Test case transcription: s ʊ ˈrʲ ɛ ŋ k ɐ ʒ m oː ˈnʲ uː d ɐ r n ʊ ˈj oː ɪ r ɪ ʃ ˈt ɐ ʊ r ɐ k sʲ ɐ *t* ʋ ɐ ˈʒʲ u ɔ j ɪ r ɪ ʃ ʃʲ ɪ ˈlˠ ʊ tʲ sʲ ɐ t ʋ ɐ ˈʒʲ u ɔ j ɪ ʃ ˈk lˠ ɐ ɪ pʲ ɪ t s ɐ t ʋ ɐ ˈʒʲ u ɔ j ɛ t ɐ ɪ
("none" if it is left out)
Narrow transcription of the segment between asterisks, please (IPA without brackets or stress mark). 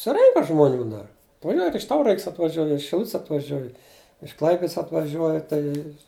t